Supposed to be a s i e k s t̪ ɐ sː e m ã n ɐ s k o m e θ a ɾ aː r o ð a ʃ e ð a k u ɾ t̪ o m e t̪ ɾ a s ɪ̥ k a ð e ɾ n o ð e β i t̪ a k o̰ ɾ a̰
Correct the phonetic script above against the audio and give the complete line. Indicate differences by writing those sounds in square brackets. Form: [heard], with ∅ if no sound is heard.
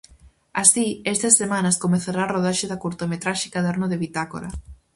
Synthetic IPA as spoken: a s i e [∅] s t̪ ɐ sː e m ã n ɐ s k o m e θ a ɾ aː r o ð a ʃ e ð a k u ɾ t̪ o m e t̪ ɾ a [ʃ] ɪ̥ k a ð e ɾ n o ð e β i t̪ a k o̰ ɾ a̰

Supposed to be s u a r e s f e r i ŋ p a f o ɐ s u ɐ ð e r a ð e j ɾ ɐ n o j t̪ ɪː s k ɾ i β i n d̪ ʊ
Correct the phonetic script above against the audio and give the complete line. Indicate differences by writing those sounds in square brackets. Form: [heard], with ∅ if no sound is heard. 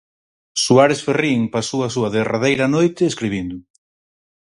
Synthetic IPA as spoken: s u a [ɾ] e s f e r i ŋ p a [s] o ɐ s u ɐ ð e r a ð e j ɾ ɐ n o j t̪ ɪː s k ɾ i β i n d̪ ʊ

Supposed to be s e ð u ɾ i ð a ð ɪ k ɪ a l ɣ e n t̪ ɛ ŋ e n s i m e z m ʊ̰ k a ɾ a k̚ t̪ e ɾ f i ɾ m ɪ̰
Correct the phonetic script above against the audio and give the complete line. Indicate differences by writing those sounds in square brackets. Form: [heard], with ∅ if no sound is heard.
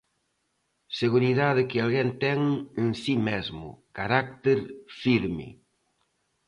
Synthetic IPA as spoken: s e [ɣ] u ɾ i ð a ð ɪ k ɪ a l ɣ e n t̪ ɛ ŋ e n s i m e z m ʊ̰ k a ɾ a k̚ t̪ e ɾ f i ɾ m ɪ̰

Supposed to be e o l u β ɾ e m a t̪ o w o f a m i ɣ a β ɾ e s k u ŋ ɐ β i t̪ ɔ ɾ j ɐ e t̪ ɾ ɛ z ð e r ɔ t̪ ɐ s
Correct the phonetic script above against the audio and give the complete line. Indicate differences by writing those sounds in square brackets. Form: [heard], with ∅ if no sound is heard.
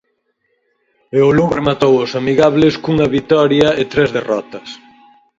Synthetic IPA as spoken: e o l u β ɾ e m a t̪ o w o [s] a m i ɣ a β [l] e s k u ŋ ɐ β i t̪ ɔ ɾ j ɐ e t̪ ɾ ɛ z ð e r ɔ t̪ ɐ s

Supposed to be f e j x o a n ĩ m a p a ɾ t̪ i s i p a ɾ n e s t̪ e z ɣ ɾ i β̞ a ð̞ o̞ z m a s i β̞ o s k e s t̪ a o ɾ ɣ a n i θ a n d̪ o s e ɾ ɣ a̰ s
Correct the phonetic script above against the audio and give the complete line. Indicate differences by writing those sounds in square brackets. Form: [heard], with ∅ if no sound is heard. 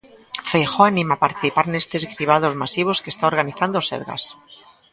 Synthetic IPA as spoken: f e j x o a n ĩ m a p a ɾ t̪ i [θ] i p a ɾ n e s t̪ e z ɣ ɾ i β̞ a ð̞ o̞ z m a s i β̞ o s k e s t̪ a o ɾ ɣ a n i θ a n d̪ o s e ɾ ɣ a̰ s

